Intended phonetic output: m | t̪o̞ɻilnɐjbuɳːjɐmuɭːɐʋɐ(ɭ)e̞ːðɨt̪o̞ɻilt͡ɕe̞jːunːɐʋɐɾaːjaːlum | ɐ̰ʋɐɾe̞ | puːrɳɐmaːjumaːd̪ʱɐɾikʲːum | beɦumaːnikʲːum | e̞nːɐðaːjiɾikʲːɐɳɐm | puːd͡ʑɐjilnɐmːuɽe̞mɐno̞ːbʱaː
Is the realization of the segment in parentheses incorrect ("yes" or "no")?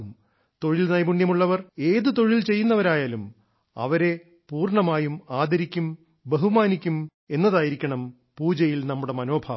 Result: yes